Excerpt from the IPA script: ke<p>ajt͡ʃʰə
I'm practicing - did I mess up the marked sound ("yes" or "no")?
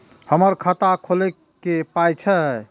no